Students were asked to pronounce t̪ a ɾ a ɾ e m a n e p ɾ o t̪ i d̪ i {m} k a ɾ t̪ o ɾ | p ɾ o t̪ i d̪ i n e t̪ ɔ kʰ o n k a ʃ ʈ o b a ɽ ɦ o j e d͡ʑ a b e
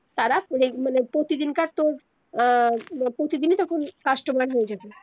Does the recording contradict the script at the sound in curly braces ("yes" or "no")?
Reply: yes